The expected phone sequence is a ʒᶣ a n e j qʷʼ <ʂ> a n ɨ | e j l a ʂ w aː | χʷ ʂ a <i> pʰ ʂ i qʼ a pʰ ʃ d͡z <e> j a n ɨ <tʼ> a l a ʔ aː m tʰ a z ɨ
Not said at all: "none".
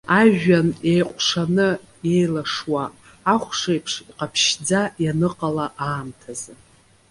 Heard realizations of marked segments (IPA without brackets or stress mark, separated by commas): ʂ, j, a, qʼ